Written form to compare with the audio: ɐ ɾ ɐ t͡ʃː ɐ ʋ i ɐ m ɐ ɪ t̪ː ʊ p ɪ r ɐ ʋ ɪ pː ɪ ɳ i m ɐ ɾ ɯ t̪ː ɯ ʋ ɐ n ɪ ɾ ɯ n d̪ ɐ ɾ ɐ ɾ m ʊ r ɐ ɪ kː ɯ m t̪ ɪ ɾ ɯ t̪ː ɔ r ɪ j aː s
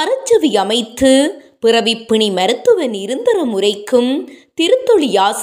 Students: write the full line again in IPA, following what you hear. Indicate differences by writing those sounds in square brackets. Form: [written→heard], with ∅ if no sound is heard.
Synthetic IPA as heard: ɐ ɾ ɐ t͡ʃː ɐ ʋ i ɐ m ɐ ɪ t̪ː [ʊ→ɯ] p ɪ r ɐ ʋ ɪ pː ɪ ɳ i m ɐ ɾ ɯ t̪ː ɯ ʋ ɐ n ɪ ɾ ɯ n d̪ ɐ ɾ ɐ [ɾ→∅] m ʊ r ɐ ɪ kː ɯ m t̪ ɪ ɾ ɯ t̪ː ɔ [r→ɭ] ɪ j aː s